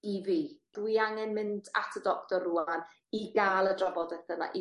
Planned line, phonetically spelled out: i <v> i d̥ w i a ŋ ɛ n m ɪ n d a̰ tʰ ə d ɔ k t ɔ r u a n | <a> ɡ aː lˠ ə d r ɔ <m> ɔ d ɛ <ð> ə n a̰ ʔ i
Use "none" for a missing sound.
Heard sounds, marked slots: v, i, b, θ

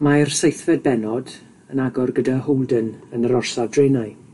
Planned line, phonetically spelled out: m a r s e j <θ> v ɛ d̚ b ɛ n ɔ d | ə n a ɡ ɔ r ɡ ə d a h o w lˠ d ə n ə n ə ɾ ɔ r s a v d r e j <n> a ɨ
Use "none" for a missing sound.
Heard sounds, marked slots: θ, n

